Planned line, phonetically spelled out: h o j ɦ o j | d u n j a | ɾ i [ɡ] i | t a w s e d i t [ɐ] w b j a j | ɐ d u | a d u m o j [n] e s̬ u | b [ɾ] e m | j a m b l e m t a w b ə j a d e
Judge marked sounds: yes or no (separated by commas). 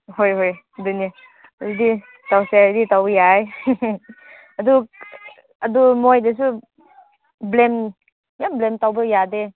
no, no, no, no